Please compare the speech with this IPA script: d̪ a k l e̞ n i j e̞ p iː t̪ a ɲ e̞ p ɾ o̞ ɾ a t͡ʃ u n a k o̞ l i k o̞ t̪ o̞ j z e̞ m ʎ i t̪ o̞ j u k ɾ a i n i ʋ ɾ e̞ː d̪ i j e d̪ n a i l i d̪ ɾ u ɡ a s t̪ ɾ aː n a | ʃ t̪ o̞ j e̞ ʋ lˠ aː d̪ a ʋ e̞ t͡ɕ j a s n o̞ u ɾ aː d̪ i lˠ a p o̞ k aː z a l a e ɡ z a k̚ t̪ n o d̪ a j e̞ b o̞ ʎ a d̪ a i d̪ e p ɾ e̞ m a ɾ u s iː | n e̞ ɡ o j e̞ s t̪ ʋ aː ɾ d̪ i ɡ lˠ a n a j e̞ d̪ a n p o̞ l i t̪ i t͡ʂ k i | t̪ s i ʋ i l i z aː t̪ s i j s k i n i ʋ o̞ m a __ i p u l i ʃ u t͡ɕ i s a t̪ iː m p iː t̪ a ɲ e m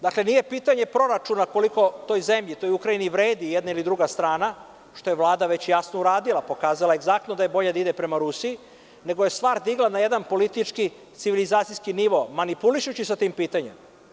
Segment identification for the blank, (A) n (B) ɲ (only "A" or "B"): A